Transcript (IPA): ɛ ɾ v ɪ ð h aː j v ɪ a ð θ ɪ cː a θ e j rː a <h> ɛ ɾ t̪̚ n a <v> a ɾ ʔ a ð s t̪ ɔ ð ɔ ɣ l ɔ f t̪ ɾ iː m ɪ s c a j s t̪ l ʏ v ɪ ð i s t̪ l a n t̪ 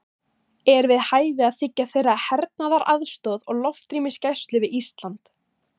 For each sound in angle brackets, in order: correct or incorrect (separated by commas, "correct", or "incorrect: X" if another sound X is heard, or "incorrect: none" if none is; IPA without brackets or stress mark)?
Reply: correct, incorrect: ð